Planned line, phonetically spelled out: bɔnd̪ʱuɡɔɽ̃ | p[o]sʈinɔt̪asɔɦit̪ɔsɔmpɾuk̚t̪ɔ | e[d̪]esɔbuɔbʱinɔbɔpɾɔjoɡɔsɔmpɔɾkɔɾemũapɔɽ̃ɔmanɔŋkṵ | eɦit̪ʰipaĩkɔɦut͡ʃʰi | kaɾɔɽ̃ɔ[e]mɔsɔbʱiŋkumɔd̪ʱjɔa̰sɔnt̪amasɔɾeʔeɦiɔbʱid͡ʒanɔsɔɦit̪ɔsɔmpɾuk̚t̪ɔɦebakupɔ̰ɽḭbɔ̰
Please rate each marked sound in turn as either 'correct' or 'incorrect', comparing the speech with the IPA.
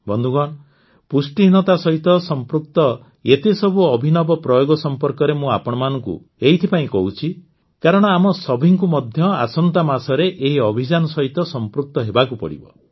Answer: incorrect, incorrect, incorrect

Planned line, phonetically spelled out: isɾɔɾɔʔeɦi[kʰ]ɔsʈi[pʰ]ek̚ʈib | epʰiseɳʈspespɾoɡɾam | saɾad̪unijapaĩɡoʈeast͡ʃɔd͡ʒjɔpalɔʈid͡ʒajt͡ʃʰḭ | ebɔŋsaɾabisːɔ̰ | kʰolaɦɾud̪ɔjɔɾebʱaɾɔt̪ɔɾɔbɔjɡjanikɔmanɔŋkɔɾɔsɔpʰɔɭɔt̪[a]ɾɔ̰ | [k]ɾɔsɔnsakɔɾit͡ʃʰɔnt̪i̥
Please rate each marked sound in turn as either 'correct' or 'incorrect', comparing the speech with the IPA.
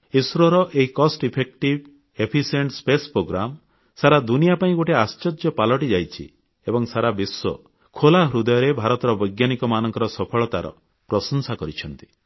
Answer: incorrect, correct, correct, incorrect

